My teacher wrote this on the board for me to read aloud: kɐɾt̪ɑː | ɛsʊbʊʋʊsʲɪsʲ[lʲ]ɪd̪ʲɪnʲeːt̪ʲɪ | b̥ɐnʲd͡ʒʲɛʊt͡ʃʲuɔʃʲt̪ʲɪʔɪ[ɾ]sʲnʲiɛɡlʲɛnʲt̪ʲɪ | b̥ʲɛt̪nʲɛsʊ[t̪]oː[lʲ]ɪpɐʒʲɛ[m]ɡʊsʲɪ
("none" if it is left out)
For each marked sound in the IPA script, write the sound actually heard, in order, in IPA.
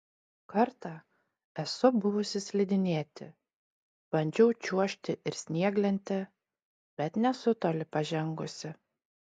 lʲ, ɾ, t̪, lʲ, ŋ

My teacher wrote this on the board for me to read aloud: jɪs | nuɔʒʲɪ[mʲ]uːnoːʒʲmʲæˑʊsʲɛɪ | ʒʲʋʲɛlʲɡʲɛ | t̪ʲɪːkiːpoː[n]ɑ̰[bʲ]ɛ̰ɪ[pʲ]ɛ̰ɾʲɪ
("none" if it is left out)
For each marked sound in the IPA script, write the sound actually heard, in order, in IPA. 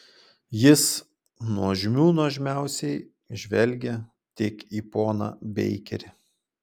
mʲ, n, bʲ, kʲ

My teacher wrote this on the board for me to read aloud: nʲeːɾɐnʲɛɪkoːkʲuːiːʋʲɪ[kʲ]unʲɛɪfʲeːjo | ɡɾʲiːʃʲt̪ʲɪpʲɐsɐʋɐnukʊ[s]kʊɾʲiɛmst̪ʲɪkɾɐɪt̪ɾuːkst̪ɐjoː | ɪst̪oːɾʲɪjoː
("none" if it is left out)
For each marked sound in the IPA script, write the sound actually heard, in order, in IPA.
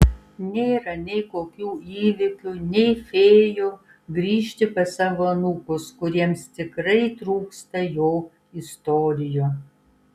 kʲ, s

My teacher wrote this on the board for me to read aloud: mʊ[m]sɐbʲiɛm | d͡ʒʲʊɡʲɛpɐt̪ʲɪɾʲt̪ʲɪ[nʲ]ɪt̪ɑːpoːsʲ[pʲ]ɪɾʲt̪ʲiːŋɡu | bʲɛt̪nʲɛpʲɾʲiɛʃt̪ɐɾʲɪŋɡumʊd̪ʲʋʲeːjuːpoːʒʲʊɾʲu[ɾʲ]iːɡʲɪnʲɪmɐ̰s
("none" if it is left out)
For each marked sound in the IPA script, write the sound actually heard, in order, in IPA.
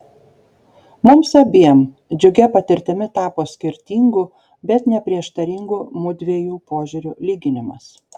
m, mʲ, kʲ, lʲ

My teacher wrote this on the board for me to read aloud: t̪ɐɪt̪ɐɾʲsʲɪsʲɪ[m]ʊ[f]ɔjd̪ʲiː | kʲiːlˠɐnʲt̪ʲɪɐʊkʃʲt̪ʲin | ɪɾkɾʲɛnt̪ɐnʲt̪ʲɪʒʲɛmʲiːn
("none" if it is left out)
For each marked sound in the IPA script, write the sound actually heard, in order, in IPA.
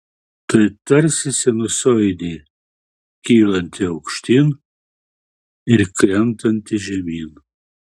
n, s

